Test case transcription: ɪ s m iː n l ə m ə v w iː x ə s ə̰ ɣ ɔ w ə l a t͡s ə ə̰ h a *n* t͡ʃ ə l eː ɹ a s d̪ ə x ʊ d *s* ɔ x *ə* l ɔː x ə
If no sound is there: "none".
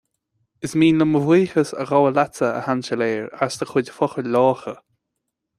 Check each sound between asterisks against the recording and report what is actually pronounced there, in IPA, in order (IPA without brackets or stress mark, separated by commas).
n, f, ə